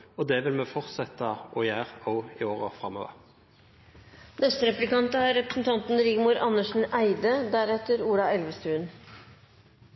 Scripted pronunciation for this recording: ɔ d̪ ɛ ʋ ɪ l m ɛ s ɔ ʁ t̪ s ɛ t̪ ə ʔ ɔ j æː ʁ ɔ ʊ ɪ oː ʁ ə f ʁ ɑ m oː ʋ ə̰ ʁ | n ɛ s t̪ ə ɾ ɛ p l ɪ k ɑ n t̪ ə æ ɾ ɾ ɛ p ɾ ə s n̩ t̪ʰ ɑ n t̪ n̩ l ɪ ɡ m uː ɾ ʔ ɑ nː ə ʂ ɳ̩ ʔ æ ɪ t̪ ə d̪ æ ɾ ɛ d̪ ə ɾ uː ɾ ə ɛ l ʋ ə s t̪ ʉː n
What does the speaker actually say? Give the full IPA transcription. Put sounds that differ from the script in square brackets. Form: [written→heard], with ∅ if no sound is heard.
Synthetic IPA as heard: ɔ d̪ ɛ ʋ ɪ l m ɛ [s→f] ɔ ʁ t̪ s ɛ t̪ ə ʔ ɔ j æː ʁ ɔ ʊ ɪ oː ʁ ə f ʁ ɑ m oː ʋ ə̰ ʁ | n ɛ s t̪ ə ɾ ɛ p l ɪ k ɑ n t̪ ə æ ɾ ɾ ɛ p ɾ ə s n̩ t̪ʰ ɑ n t̪ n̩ [l→ɾ] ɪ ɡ m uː ɾ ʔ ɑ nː ə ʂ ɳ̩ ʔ æ ɪ [t̪→d̪] ə d̪ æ ɾ ɛ [d̪→t̪] ə ɾ uː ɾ [ə→ɑ] ɛ l ʋ ə s t̪ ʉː n